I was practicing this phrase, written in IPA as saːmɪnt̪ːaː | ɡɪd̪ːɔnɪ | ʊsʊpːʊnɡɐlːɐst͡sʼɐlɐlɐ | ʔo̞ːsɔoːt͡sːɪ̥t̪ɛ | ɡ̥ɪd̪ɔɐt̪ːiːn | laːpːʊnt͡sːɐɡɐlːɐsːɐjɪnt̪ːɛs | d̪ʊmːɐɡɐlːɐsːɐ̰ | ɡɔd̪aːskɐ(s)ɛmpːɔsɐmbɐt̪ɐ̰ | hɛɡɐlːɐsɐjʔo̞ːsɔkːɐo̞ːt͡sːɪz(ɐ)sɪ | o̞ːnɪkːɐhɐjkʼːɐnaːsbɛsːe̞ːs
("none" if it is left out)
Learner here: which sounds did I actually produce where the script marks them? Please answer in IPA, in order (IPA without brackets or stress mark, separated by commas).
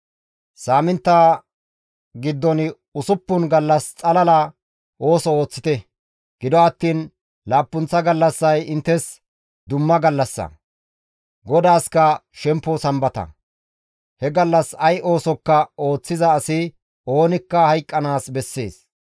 ʃ, ɐː